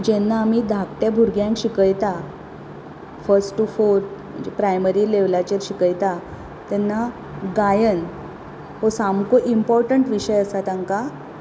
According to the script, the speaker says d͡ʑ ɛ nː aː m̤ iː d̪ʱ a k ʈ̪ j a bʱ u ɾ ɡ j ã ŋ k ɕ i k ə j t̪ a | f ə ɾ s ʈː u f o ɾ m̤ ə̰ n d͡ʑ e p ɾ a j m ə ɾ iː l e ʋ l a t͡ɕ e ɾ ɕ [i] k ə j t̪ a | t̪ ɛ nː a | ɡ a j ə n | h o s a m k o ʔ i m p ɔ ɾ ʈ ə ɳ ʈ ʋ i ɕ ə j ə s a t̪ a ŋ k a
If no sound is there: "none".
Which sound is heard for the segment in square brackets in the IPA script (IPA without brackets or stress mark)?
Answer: i